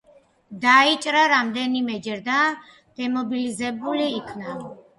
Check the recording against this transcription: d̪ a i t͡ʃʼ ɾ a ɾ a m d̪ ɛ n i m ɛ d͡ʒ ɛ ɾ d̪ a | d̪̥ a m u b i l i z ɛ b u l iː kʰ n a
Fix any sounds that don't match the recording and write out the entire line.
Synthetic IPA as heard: d̪ a i t͡ʃʼ ɾ a ɾ a m d̪ ɛ n i m ɛ d͡ʒ ɛ ɾ d̪ a | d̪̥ ɛ m ɔ b i l i z ɛ b u l iː kʰ n a